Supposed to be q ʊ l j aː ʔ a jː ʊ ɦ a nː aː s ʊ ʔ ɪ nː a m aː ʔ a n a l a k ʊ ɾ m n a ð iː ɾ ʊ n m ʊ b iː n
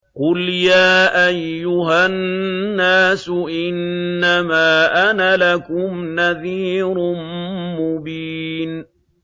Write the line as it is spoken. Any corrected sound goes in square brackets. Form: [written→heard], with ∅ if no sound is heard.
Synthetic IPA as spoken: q ʊ l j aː ʔ a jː ʊ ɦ a nː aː s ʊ ʔ ɪ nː a m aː ʔ a n a l a k ʊ [ɾ→∅] m n a ð iː ɾ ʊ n m ʊ b iː n